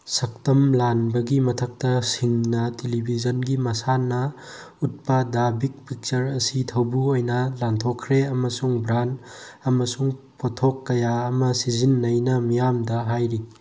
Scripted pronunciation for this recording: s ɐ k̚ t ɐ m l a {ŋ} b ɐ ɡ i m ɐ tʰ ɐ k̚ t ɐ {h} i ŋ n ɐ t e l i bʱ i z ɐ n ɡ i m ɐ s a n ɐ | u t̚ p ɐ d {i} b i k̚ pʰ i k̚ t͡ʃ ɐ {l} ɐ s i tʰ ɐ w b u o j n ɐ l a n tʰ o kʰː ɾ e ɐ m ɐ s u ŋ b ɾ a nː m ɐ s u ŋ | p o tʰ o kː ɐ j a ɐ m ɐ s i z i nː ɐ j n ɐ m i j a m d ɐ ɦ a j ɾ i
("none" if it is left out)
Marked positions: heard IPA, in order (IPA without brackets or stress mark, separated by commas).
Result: n, s, a, ɾ